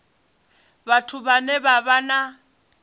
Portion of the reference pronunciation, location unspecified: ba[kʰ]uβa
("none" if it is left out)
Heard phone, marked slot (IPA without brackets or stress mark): tʰ